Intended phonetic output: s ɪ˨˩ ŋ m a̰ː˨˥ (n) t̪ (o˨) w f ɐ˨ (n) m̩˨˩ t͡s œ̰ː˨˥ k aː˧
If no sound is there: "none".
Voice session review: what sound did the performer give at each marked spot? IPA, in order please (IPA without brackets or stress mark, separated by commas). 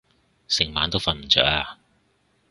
n, o˥, n